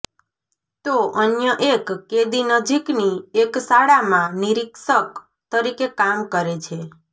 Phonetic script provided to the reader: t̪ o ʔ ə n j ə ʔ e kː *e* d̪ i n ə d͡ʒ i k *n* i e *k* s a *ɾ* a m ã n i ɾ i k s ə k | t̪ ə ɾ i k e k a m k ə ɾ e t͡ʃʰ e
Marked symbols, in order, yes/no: yes, yes, yes, no

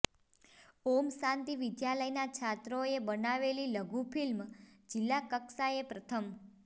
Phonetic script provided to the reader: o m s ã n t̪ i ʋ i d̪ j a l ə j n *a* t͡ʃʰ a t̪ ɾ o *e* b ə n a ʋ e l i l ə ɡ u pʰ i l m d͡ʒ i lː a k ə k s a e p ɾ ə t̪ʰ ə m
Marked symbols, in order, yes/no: yes, yes

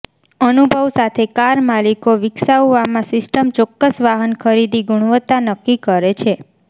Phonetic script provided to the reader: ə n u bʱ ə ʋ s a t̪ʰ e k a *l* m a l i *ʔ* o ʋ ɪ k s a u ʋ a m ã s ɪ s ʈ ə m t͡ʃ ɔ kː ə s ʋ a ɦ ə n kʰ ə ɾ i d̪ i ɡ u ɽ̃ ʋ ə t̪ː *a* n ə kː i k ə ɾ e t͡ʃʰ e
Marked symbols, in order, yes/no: no, no, yes

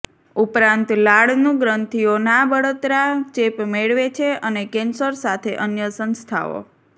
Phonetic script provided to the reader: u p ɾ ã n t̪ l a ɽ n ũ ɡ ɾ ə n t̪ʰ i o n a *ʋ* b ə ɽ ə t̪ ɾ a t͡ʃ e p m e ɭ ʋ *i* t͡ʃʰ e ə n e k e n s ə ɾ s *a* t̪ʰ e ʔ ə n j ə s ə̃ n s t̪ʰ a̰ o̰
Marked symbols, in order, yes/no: no, no, yes

